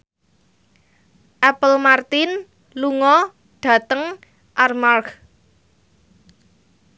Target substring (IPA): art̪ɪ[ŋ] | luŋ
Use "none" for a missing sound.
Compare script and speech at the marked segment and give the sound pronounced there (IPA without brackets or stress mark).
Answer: n